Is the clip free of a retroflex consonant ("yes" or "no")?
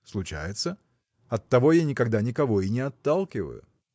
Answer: yes